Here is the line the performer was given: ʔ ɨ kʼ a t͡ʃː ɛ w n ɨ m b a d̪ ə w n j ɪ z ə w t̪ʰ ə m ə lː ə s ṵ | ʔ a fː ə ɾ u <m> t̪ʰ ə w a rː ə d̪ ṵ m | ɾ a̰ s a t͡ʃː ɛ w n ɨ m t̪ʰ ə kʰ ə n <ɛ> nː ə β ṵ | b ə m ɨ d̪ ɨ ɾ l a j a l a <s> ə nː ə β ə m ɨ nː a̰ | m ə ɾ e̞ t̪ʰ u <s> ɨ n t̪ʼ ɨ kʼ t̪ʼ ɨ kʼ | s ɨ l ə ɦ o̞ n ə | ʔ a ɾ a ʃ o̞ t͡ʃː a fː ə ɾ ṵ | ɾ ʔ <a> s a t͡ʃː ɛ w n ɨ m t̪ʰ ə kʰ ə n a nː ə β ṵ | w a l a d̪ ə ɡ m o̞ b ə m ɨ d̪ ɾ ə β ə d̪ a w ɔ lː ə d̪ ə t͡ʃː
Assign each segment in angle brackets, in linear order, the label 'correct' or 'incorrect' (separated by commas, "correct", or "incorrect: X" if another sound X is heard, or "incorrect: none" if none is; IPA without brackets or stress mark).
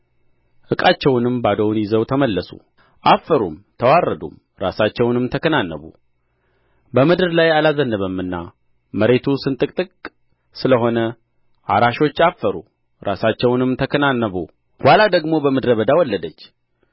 correct, incorrect: a, incorrect: z, correct, correct